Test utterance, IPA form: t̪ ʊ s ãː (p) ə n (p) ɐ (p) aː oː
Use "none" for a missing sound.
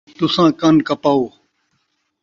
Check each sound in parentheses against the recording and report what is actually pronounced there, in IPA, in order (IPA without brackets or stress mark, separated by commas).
k, k, p